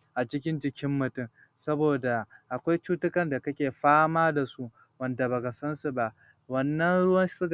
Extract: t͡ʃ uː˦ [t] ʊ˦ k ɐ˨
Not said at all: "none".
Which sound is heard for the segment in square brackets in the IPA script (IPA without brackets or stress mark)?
t